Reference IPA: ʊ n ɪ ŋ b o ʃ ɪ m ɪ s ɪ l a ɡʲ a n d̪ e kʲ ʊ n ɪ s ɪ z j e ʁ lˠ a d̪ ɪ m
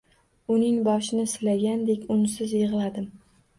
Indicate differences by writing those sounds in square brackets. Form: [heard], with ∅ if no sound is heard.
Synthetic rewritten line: ʊ n ɪ ŋ b [ɒ] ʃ ɪ [n] ɪ s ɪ l a ɡʲ a n d̪ e kʲ ʊ n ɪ s ɪ z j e ʁ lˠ a d̪ ɪ m